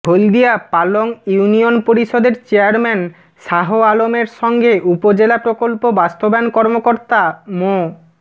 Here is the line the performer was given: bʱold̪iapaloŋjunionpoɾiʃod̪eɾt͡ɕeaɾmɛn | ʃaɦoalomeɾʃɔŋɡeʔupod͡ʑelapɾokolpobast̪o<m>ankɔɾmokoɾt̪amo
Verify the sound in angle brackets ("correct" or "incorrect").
incorrect